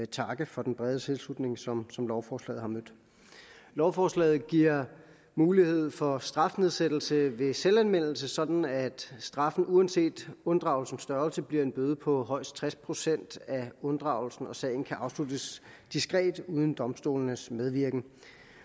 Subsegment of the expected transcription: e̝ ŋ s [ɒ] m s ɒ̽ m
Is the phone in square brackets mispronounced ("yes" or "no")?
no